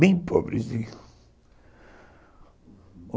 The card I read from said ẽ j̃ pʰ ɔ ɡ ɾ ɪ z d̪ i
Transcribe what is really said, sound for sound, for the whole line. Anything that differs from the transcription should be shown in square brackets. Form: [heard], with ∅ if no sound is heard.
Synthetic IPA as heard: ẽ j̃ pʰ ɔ [b] ɾ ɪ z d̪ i